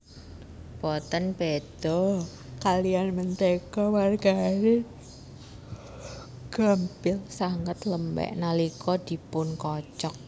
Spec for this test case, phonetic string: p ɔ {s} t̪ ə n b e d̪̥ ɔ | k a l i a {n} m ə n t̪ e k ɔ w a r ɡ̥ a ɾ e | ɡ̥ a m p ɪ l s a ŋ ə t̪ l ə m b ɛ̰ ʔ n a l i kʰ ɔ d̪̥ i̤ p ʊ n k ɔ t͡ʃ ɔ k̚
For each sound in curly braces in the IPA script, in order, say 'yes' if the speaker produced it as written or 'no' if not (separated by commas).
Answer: no, yes